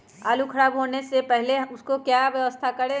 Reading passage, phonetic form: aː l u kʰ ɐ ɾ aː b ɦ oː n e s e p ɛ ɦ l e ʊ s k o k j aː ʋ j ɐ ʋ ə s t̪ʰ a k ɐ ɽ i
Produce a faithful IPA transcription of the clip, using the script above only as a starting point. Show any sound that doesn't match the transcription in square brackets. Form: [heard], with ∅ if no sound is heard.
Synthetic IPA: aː l u kʰ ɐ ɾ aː b ɦ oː n e s e p ɛ ɦ l e ʊ s k o k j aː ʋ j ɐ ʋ ə s t̪ʰ a k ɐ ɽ [e]